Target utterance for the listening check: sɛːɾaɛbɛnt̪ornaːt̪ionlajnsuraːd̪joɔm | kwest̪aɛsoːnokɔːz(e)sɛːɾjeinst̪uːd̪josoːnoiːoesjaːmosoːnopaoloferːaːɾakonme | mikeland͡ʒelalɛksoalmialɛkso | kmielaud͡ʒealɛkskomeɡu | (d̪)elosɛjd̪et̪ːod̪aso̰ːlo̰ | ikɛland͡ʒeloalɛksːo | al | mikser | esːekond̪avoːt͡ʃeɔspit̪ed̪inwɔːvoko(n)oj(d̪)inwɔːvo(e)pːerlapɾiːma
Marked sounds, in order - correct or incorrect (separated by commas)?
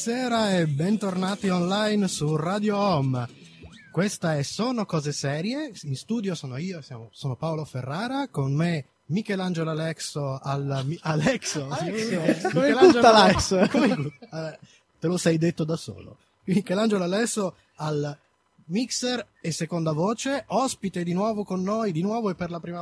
correct, incorrect, incorrect, correct, correct